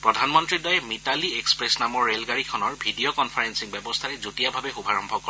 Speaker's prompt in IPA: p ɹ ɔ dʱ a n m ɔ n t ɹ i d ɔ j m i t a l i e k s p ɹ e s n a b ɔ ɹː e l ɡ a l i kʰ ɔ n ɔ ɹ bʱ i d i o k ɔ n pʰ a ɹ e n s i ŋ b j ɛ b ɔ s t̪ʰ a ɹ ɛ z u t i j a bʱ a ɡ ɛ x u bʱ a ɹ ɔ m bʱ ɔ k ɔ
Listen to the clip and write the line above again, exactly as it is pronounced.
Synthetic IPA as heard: p ɹ ɔ dʱ a n m ɔ n t ɹ i d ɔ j m i t a l i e k s p ɹ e s n a m ɔ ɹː e l ɡ a ɹ i kʰ ɔ n ɔ ɹ bʱ i d i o k ɔ n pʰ a ɹ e n s i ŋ b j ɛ b ɔ s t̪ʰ a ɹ ɛ z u t i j a bʱ a b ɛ x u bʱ a ɹ ɔ m bʱ ɔ k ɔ